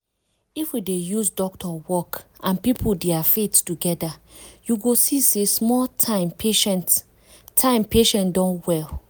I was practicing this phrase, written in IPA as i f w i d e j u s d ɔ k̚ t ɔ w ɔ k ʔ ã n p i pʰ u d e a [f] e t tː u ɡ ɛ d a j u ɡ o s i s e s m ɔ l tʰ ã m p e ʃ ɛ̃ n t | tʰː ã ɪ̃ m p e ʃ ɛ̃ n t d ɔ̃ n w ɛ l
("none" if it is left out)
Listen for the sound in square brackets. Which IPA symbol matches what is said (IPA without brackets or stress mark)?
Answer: f